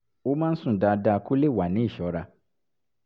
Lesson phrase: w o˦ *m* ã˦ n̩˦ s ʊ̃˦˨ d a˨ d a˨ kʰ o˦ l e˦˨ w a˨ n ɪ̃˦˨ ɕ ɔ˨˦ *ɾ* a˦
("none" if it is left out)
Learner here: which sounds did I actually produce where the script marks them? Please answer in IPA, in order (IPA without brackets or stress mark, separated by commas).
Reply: m, ɾ